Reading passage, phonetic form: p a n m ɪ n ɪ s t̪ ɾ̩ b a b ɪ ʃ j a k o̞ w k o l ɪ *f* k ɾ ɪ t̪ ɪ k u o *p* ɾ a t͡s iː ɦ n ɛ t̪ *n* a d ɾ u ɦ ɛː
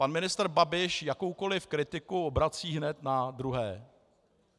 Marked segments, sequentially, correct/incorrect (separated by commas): correct, incorrect, correct